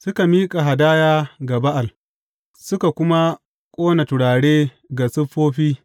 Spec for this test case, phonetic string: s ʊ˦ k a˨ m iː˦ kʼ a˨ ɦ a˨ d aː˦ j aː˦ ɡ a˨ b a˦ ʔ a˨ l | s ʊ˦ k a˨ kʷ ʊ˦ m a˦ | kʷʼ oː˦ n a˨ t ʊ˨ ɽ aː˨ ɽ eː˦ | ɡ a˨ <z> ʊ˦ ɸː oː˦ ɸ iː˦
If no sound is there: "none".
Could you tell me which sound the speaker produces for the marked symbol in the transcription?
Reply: s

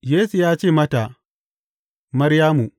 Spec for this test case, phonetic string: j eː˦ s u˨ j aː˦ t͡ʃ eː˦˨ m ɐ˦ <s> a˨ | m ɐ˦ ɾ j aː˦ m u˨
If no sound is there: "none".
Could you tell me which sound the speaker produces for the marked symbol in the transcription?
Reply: t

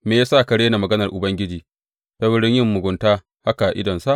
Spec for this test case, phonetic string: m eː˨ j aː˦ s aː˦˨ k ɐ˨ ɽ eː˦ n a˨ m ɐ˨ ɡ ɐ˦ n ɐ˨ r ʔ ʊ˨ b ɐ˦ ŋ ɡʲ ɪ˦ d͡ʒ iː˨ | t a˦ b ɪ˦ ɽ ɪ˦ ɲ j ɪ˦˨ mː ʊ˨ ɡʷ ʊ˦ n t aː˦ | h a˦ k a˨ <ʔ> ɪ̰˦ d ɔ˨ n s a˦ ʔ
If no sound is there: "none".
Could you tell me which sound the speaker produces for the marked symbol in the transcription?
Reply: ʔ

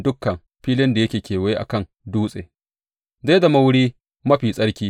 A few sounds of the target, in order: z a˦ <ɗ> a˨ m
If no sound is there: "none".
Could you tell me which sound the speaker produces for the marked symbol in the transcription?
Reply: d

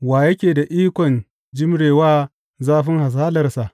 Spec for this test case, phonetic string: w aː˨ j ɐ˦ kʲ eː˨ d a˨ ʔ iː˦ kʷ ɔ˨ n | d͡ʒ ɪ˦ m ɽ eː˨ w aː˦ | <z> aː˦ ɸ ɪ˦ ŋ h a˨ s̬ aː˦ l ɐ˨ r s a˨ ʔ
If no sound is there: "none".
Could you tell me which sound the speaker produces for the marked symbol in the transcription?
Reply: z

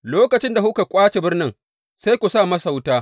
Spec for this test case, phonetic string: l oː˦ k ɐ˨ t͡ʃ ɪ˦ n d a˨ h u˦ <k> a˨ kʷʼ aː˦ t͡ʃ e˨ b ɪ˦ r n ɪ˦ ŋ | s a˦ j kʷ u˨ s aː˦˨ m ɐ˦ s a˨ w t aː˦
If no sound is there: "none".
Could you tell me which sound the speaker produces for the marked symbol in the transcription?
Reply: k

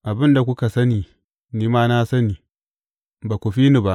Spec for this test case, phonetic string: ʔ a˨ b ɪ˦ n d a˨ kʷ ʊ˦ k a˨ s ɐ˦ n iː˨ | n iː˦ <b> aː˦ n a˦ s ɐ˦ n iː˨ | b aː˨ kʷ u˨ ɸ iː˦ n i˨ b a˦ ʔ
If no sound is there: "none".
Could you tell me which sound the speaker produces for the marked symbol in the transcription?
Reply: m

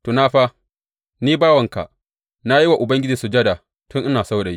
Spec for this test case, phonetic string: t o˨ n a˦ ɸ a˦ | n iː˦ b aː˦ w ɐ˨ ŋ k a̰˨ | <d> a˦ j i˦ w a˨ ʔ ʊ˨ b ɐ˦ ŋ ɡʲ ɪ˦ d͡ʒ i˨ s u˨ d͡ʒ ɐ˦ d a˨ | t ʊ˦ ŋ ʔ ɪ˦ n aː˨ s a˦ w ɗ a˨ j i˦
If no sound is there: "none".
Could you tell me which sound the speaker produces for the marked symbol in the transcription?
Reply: n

